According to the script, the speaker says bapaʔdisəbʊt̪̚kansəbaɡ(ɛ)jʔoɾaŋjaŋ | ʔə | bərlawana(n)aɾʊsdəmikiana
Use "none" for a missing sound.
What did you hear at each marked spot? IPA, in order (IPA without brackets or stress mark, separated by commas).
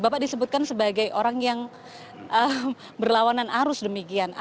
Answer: a, n